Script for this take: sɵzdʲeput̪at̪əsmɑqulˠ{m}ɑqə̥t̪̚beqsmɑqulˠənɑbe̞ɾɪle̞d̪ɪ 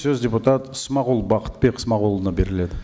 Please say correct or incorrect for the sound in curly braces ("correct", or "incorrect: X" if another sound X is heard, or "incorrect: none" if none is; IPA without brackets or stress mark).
incorrect: b